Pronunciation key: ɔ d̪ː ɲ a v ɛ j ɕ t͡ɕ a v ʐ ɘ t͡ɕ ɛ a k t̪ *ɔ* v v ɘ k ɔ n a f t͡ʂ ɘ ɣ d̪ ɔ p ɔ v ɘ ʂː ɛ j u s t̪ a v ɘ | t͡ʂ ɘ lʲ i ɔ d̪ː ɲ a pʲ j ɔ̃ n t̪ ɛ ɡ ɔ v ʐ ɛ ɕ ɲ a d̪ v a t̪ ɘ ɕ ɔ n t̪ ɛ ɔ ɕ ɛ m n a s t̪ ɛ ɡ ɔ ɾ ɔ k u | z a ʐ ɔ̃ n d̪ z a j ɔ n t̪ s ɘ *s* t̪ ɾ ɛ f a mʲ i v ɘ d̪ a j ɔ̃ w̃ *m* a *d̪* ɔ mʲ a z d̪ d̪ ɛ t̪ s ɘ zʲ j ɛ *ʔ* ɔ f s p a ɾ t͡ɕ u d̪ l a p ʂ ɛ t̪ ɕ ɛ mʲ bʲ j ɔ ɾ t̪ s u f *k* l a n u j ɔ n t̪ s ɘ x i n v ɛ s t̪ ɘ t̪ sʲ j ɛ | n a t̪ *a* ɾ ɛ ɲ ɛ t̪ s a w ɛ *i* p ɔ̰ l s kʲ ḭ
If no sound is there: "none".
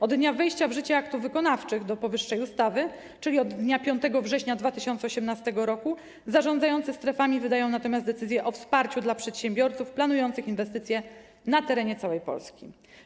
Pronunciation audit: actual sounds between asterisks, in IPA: u, s, n, t̪, ʔ, p, ɛ, j

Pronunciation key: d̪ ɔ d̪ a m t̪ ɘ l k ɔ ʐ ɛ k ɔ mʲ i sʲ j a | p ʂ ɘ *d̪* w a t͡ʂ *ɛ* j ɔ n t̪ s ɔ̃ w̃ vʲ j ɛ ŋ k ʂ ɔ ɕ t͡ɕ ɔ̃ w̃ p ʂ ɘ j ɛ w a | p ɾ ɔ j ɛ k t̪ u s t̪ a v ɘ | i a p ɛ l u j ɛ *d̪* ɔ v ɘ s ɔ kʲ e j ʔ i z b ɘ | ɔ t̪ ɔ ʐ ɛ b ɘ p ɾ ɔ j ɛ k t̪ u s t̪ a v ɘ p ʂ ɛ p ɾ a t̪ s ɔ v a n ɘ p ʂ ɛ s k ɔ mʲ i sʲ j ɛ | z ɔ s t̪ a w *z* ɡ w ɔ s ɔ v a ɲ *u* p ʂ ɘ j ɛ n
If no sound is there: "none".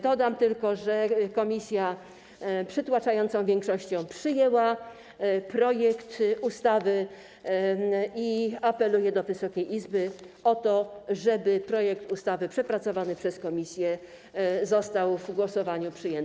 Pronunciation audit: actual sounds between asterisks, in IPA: t̪, a, d̪, v, u

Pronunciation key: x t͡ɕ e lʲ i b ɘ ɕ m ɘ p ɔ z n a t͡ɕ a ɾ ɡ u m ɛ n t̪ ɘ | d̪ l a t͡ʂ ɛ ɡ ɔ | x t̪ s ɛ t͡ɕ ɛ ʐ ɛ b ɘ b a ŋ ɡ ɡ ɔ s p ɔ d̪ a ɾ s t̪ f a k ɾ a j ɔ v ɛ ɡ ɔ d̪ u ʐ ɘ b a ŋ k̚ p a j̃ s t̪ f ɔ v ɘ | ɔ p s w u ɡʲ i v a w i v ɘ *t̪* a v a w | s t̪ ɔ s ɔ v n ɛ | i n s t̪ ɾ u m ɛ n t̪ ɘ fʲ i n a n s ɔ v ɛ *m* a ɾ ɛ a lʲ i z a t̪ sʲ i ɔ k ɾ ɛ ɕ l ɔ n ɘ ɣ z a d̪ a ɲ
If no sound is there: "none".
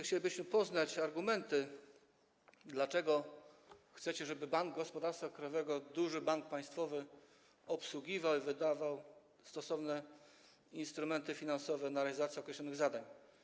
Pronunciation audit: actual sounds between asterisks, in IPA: d̪, n

